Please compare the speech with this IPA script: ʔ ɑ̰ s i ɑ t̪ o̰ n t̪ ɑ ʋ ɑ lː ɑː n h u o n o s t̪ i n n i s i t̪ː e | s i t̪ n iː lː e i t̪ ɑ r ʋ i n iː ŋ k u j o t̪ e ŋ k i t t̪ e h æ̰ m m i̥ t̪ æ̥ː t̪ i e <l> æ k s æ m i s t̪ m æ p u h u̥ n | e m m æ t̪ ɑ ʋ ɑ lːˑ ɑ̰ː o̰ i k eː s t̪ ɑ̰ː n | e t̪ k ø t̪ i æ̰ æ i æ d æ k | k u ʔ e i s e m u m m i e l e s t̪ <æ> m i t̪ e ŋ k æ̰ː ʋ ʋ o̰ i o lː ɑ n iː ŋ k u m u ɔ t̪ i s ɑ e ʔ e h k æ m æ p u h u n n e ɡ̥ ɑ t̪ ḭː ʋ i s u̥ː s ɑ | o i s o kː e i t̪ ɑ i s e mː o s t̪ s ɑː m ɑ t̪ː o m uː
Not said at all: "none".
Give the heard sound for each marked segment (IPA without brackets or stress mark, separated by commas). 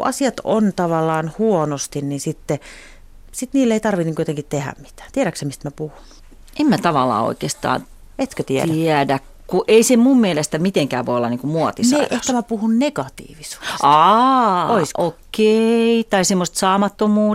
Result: ɾ, æ